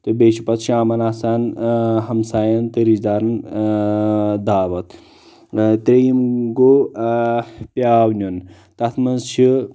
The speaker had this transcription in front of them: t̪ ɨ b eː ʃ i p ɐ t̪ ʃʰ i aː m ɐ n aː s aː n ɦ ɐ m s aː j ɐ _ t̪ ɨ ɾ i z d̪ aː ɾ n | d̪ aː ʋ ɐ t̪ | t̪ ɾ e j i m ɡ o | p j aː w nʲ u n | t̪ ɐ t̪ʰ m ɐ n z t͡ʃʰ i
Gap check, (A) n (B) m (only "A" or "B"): A